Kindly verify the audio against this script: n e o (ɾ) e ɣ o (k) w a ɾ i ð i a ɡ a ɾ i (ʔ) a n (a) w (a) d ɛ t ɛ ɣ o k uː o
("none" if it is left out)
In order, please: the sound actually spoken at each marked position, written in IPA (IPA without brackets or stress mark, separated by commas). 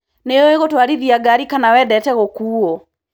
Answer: none, t, k, a, ɛ